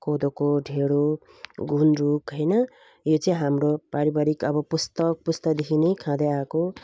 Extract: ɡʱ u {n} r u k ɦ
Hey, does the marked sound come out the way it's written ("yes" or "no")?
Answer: yes